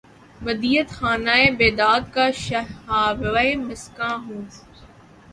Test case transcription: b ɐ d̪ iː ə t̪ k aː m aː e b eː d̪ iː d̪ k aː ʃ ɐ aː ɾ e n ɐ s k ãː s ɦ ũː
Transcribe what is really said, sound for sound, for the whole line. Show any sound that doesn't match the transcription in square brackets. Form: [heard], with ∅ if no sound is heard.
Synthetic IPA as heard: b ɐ d̪ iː ə t̪ [x] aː [n] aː e b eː d̪ [aː] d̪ k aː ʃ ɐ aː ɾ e [m] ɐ s k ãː [∅] ɦ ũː